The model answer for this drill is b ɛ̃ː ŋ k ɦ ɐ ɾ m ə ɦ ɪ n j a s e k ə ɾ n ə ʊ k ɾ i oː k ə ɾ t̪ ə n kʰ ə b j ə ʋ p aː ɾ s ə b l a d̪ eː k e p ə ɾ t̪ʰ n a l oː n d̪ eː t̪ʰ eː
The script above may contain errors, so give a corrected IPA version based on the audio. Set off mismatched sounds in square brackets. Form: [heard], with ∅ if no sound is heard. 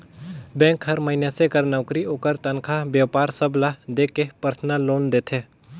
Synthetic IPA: b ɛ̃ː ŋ k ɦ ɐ ɾ m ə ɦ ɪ n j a s e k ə ɾ n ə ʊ k ɾ i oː k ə ɾ t̪ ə n kʰ [a] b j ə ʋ p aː ɾ s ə b l a d̪ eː k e p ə ɾ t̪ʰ n a l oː n d̪ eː t̪ʰ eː